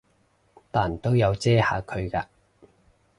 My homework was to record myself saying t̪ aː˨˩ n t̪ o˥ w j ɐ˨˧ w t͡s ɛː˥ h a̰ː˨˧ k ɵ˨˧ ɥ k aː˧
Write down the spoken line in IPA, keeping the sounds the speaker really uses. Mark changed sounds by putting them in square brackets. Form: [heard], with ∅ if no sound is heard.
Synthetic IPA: t̪ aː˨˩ n t̪ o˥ w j ɐ˨˧ w t͡s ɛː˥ h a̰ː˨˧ [kʰ] ɵ˨˧ ɥ k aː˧